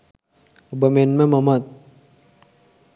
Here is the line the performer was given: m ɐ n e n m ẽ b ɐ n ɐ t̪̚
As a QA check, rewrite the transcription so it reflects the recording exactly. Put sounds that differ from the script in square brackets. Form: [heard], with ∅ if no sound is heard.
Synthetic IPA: [b] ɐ [m] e n m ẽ [m] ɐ [m] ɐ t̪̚